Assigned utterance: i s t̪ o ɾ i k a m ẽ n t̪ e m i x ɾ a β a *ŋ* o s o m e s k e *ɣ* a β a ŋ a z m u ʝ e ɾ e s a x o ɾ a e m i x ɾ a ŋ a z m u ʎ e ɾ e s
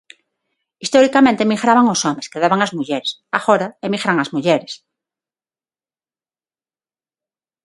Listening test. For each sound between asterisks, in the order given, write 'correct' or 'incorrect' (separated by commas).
correct, incorrect